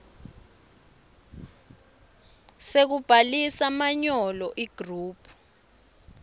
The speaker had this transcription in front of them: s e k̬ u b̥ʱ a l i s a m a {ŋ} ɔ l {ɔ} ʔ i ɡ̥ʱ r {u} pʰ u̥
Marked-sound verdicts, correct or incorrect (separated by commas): incorrect, correct, incorrect